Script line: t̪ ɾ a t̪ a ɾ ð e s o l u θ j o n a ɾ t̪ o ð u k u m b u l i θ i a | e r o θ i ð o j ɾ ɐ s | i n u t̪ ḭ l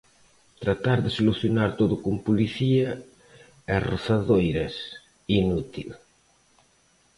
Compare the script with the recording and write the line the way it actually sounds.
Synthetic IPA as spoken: t̪ ɾ a t̪ a ɾ ð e s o l u θ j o n a ɾ t̪ o ð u k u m p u l i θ i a | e r o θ a ð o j ɾ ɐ s | i n u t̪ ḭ l